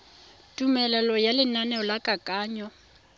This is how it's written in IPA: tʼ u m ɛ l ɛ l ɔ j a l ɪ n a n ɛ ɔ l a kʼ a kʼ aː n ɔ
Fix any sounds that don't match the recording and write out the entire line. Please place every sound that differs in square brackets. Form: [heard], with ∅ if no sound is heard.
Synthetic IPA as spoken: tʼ u m ɛ l ɛ l ɔ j a l ɪ n a n ɛ ɔ l a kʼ a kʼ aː [ɲ] ɔ